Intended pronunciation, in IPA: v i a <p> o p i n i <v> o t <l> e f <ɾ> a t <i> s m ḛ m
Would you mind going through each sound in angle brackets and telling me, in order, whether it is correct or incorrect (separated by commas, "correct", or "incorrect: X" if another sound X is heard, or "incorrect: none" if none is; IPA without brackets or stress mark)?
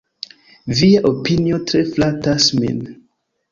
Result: incorrect: ʔ, incorrect: none, incorrect: ɾ, incorrect: l, incorrect: a